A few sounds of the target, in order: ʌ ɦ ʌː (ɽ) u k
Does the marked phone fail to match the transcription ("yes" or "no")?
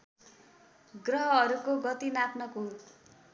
yes